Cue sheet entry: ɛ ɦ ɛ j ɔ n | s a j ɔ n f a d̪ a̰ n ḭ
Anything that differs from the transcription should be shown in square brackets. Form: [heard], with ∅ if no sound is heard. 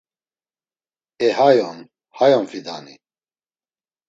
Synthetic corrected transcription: ɛ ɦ [a] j ɔ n | [h] a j ɔ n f [i] d̪ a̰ n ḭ